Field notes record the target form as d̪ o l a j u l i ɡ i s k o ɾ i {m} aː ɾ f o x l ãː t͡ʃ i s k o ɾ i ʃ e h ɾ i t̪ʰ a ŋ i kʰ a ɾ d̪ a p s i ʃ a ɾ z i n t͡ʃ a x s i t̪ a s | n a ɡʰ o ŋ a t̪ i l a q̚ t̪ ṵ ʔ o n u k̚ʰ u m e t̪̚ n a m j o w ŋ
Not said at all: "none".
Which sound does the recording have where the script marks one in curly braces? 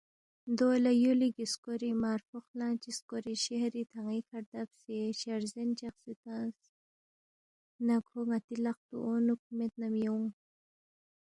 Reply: m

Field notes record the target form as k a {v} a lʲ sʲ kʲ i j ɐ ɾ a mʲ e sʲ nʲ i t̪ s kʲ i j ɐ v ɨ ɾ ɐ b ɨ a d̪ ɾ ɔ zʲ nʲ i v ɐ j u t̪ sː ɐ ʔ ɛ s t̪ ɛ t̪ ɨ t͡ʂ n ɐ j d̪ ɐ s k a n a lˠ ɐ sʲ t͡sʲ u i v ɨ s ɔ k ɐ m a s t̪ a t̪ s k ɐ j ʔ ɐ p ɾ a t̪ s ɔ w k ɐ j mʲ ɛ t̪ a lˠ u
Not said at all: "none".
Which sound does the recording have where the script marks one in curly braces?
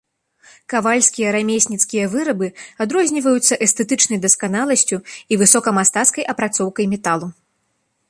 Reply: v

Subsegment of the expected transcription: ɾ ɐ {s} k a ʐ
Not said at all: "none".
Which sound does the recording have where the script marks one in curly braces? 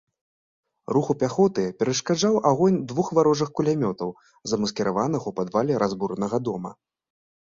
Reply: ʂ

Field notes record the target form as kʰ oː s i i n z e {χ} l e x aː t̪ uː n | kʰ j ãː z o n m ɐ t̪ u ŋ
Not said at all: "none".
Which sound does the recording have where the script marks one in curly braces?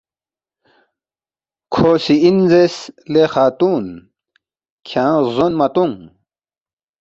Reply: s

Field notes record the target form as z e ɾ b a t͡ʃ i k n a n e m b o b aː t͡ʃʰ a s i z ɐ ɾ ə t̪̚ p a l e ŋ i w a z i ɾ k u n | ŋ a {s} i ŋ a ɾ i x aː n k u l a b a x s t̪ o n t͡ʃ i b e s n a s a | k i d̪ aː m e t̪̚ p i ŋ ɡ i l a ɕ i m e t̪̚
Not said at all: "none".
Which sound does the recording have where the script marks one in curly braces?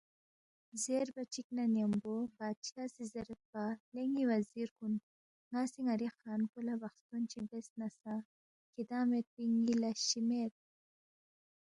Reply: s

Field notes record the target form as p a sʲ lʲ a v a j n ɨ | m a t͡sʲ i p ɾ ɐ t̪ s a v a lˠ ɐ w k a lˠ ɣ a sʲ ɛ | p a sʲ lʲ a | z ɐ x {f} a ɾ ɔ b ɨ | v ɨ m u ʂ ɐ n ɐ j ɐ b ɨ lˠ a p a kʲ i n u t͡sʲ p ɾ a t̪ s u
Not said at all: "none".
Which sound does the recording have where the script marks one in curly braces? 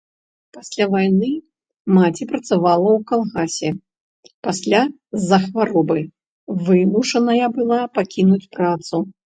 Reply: v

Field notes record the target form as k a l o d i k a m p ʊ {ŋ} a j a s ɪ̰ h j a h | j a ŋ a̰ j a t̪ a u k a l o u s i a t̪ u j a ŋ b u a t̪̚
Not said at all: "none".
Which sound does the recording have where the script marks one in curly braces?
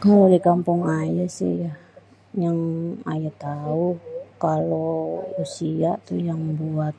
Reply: ŋ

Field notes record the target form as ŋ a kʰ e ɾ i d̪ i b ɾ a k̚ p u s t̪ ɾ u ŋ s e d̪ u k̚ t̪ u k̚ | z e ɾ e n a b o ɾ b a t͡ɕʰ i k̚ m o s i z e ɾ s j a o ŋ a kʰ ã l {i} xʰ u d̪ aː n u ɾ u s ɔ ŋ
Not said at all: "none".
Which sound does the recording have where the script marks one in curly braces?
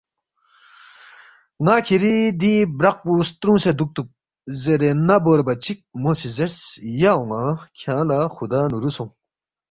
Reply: a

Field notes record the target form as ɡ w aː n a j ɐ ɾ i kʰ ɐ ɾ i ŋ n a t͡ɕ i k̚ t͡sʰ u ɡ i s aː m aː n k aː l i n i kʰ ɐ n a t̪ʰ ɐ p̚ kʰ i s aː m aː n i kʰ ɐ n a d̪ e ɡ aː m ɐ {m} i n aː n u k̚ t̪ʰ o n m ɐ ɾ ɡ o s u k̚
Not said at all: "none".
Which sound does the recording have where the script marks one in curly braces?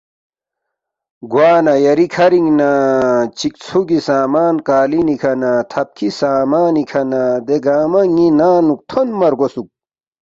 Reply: ŋ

